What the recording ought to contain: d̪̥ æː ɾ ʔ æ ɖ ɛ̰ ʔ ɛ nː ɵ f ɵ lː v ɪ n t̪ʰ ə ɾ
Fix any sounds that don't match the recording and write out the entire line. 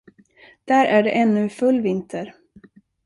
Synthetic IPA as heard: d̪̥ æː ɾ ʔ æ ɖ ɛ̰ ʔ ɛ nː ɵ f ɵ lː v ɪ n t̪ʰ ə ɾ